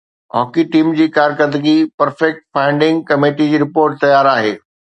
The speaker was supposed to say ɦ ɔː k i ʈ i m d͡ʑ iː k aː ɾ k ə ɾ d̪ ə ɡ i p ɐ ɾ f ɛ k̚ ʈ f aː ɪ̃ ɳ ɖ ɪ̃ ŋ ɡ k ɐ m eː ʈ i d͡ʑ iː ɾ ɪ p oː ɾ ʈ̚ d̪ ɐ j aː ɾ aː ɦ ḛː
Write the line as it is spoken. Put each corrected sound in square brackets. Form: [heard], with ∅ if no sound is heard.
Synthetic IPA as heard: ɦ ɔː k i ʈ [iː] m d͡ʑ iː k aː ɾ k ə ɾ d̪ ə ɡ i p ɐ ɾ f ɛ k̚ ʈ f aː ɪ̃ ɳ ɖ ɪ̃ ŋ ɡ k ɐ m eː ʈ i d͡ʑ iː ɾ ɪ p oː ɾ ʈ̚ [t̪] ɐ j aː ɾ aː ɦ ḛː